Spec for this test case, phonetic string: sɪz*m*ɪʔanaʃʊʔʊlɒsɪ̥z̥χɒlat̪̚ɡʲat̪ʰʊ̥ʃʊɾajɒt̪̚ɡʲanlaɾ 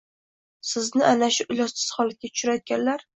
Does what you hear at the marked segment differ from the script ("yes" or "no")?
yes